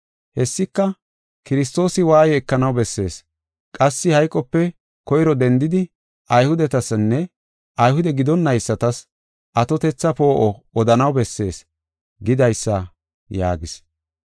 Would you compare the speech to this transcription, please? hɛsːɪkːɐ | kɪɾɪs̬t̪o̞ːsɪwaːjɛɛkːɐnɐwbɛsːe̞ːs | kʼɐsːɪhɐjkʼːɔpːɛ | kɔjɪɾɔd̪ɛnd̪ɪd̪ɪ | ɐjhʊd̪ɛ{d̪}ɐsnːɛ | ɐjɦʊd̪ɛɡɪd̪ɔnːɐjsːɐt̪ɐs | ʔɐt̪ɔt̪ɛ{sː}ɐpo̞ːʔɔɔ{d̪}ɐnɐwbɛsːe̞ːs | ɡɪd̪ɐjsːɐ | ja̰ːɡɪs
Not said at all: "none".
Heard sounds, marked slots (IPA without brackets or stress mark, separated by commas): t̪, t͡sː, d̪